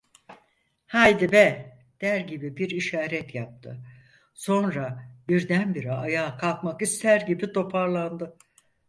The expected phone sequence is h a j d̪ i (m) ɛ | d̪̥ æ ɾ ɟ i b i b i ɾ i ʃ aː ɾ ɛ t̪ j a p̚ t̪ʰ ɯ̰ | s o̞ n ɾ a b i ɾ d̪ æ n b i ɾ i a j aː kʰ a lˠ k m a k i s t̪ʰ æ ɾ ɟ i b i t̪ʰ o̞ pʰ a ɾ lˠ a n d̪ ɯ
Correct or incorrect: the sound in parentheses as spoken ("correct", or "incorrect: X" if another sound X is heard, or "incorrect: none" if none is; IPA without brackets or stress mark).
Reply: incorrect: b